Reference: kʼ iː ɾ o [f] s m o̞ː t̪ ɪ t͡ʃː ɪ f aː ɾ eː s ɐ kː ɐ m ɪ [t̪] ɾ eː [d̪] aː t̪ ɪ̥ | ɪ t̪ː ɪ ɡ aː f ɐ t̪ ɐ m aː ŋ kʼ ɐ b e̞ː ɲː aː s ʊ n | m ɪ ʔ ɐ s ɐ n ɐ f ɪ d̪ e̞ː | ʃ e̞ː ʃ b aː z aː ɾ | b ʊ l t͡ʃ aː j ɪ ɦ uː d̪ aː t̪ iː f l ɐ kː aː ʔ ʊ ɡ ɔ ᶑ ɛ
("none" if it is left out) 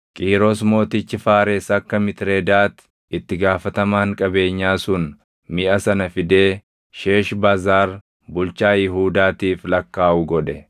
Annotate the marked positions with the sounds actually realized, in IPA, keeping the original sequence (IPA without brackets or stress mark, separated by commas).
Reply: none, t̪, d̪